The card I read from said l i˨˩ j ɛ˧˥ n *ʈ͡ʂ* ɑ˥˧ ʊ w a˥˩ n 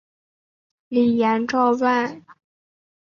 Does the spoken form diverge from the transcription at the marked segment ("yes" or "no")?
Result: no